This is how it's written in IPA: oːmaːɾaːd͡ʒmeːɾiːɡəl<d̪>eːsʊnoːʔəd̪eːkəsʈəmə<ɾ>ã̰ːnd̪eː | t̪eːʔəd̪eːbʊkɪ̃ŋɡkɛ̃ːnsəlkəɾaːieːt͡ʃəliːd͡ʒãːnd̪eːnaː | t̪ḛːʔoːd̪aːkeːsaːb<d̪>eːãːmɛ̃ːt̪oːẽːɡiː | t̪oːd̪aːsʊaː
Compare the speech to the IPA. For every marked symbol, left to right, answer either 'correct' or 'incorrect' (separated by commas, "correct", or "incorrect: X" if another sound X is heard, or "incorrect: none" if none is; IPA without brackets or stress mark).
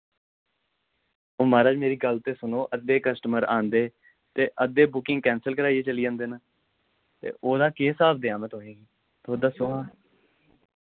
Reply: incorrect: t̪, correct, correct